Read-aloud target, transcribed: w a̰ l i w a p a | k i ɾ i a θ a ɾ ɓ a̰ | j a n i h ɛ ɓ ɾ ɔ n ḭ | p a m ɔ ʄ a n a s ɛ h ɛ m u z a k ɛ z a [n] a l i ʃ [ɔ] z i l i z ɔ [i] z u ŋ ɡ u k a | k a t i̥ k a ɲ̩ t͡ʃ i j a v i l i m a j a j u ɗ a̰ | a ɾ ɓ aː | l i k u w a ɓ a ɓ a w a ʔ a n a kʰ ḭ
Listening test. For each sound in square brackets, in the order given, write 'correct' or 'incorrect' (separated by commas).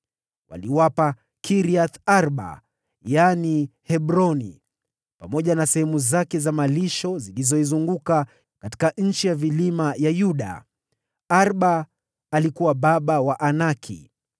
incorrect, correct, correct